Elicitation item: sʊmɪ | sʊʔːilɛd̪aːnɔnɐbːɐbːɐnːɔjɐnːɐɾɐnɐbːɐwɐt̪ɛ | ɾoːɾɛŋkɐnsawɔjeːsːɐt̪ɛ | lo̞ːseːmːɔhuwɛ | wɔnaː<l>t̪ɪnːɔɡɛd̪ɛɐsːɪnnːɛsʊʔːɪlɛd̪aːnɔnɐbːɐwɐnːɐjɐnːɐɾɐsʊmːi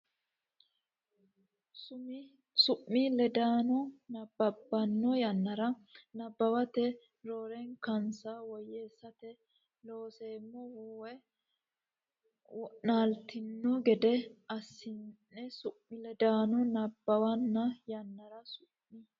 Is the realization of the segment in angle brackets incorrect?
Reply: no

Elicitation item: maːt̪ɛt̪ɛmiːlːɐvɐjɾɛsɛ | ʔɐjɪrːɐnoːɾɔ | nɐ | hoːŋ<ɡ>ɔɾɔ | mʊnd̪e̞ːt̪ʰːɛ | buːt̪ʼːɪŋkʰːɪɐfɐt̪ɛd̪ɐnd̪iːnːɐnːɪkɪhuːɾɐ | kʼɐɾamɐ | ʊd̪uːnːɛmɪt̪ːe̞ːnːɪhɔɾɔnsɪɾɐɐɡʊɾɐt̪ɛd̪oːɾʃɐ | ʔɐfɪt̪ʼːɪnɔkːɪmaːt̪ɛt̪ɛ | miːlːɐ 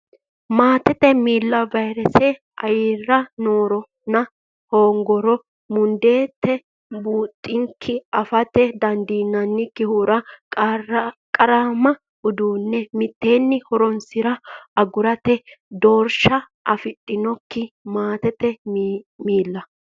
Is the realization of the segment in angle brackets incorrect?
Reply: no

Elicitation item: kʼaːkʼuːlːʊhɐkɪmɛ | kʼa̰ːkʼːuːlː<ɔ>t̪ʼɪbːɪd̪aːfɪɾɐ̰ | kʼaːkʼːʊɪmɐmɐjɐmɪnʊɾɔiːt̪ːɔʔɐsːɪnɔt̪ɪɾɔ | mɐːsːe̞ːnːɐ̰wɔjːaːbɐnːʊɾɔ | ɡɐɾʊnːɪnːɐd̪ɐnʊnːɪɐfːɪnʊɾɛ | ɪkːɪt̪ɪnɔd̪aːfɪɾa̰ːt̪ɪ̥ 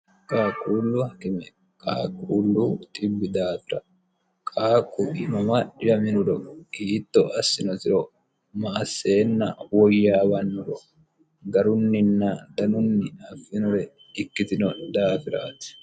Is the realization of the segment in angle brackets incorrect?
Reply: yes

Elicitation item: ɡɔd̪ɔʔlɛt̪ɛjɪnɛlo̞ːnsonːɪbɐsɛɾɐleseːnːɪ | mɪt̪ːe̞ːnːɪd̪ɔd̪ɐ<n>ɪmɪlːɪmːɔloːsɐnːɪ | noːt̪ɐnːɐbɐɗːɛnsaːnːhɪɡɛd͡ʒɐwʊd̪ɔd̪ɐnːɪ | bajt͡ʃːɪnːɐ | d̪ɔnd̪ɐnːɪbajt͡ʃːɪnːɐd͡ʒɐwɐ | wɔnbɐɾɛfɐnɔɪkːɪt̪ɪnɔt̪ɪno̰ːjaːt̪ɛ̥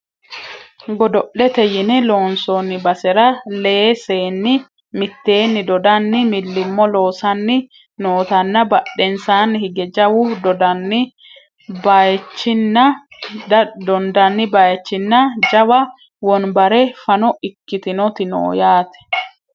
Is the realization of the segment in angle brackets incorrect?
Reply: yes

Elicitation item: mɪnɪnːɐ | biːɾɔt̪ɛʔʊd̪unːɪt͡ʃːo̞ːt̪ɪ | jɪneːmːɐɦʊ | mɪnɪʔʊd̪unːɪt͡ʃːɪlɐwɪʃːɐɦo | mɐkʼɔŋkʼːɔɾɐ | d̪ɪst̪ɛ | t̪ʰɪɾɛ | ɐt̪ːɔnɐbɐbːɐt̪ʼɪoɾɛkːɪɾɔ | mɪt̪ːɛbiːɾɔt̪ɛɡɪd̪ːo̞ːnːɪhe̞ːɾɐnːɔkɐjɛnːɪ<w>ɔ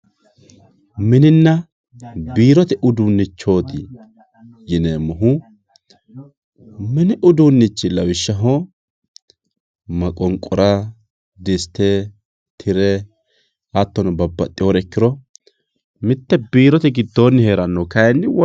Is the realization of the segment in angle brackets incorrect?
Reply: no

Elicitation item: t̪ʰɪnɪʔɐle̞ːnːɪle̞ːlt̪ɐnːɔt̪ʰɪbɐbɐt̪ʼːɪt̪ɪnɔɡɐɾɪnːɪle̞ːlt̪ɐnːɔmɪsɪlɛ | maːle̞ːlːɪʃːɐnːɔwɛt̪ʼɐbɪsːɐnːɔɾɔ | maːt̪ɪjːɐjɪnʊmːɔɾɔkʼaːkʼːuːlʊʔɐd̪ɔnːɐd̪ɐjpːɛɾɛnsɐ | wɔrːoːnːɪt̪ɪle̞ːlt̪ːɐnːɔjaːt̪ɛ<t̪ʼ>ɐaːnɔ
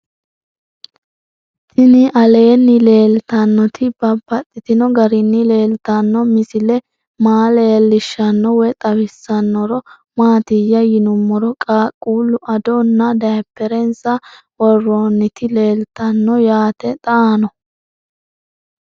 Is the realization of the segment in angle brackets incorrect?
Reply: no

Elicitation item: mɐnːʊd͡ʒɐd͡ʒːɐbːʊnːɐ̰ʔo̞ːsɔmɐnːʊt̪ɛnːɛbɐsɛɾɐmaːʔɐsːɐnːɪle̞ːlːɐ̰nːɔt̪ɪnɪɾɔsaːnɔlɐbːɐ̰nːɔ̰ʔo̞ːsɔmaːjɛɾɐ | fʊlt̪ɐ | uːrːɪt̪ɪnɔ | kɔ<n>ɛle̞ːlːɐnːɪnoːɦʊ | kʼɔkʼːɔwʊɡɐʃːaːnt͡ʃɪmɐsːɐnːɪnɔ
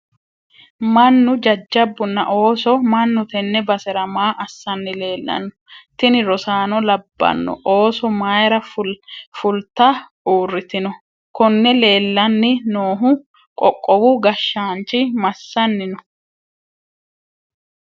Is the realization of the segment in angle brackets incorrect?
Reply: yes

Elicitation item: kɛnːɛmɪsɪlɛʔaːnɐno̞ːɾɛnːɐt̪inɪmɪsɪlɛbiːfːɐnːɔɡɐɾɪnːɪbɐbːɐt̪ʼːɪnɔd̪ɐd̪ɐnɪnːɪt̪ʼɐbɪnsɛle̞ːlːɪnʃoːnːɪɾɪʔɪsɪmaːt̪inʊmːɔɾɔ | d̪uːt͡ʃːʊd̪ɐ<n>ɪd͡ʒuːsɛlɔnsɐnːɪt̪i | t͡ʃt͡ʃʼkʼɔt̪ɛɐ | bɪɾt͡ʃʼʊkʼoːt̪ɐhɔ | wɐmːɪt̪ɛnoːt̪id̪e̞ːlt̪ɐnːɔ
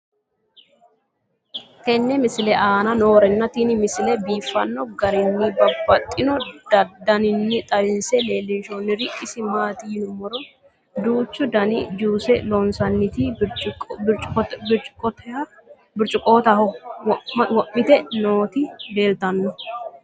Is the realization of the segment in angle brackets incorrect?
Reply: no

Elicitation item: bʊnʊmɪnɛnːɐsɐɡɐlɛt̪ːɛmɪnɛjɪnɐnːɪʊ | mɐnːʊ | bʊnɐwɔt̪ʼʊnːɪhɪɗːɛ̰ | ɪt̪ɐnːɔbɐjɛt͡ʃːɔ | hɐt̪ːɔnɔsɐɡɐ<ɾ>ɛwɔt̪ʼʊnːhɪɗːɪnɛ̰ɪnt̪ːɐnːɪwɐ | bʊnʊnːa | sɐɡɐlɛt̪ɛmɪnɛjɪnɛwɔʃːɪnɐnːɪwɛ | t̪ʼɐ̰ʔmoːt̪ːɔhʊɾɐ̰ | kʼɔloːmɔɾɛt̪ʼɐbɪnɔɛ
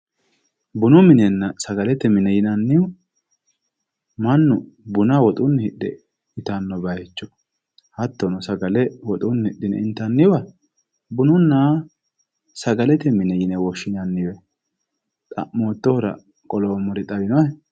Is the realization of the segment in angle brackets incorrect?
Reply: yes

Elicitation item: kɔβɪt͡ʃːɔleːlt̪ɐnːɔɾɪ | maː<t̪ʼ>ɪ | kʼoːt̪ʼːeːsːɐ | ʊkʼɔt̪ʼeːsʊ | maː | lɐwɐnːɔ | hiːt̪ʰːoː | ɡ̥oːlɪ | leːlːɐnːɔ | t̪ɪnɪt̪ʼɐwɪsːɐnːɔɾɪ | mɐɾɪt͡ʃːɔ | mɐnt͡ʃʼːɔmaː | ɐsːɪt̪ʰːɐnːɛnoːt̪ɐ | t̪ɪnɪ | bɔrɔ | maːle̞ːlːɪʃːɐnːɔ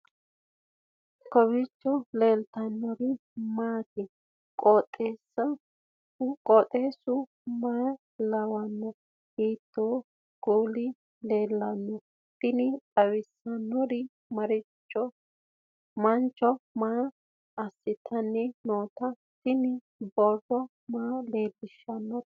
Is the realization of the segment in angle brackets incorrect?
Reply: yes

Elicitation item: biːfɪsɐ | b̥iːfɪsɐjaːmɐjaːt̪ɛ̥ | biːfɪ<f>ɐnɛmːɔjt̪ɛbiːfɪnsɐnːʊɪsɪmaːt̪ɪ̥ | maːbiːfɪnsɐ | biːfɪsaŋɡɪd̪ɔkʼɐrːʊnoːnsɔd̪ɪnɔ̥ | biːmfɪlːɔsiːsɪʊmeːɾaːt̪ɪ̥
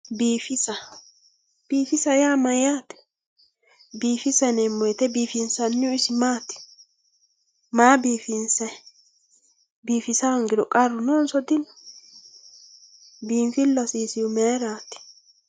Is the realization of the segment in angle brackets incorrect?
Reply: yes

